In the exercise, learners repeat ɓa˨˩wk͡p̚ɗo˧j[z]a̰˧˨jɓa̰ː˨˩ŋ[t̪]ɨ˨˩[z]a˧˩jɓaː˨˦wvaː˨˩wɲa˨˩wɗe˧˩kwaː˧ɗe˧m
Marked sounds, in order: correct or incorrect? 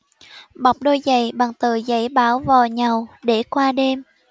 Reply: correct, correct, correct

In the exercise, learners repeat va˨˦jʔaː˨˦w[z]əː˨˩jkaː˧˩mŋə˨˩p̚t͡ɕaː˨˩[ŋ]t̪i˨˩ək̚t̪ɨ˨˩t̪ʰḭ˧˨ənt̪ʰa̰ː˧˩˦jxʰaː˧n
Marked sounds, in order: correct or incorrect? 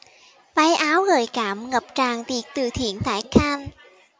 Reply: incorrect: ɣ, correct

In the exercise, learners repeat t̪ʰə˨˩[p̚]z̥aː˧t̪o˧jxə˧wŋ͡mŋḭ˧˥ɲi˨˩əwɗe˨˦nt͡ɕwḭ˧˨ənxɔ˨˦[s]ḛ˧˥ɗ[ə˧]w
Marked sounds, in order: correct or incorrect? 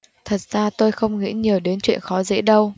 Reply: incorrect: t̚, incorrect: z, correct

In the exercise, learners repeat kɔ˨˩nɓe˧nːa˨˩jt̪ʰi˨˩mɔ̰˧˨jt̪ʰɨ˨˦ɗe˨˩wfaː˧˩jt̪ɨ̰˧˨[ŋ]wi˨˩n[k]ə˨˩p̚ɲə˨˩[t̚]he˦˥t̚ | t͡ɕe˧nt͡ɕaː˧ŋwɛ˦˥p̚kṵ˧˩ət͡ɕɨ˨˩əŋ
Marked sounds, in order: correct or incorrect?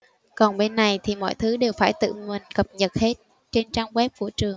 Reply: correct, correct, correct

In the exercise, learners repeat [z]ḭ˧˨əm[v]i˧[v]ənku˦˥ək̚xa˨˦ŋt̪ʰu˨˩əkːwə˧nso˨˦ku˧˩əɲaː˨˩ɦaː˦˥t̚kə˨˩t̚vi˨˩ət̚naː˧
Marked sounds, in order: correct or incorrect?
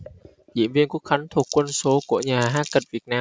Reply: correct, correct, incorrect: none

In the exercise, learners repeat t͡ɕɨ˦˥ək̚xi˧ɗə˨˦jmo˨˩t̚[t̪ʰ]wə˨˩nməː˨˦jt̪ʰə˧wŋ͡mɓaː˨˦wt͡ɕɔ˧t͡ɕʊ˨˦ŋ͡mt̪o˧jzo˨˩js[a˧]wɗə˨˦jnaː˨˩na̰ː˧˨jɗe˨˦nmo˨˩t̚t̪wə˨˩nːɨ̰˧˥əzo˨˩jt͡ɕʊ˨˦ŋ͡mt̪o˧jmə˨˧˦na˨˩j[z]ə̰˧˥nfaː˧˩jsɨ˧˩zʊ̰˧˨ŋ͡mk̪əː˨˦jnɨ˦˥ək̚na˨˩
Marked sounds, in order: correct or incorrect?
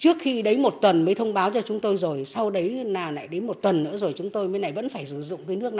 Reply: incorrect: t̪, correct, incorrect: v

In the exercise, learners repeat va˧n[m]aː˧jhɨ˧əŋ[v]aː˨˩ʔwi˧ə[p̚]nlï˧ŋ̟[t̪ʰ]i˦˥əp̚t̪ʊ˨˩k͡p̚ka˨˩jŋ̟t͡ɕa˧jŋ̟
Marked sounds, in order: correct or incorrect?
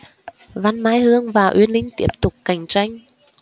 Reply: correct, correct, incorrect: none, incorrect: t̪

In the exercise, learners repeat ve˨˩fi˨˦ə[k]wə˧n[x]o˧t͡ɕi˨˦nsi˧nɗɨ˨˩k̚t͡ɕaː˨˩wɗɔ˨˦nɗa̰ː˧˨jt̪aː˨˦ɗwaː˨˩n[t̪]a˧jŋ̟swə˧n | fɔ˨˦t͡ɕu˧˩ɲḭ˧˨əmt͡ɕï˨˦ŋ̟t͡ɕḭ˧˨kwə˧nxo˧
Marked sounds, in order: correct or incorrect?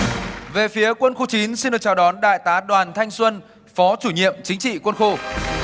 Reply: correct, correct, incorrect: t̪ʰ

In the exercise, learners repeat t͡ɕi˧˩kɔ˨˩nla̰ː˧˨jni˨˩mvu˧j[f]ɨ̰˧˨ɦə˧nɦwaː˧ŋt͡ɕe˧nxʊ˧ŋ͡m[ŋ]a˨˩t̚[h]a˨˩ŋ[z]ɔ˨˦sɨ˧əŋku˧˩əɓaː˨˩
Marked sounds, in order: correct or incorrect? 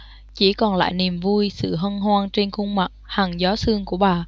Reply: incorrect: s, incorrect: m, correct, correct

